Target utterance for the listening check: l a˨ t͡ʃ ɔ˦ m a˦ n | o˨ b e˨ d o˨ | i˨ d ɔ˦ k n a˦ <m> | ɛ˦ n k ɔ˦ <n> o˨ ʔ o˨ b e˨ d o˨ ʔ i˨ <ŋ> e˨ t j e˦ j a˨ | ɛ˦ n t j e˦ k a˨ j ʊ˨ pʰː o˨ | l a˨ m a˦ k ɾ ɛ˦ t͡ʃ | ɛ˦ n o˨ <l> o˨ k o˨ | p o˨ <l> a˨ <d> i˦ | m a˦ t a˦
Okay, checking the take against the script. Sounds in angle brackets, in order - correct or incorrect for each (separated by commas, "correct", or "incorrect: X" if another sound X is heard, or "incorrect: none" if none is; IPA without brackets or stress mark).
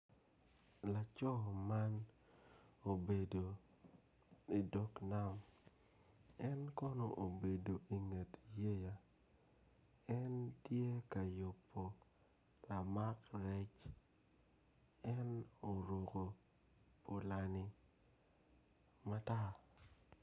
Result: correct, correct, correct, incorrect: ɾ, correct, incorrect: n